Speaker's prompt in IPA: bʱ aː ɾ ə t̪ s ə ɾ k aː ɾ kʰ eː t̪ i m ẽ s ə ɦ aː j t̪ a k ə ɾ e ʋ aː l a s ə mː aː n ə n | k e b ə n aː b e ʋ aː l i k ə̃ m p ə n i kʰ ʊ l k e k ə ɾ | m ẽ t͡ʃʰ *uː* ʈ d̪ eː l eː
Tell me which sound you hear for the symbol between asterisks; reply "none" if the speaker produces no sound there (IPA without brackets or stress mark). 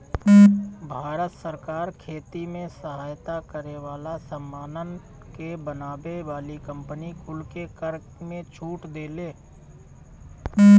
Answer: uː